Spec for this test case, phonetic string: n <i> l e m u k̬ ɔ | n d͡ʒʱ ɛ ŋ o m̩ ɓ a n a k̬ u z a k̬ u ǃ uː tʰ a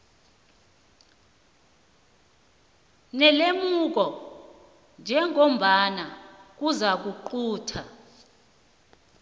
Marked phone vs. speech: incorrect: ɛ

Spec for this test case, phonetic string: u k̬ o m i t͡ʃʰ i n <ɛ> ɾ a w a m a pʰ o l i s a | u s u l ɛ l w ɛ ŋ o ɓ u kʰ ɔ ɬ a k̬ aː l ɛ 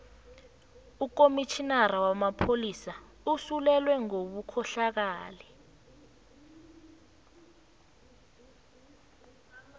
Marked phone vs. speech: incorrect: a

